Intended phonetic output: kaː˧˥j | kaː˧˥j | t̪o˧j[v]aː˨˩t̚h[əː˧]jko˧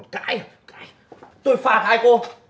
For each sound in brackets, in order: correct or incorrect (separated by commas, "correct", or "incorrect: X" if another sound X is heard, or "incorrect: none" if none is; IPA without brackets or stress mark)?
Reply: incorrect: f, incorrect: aː˧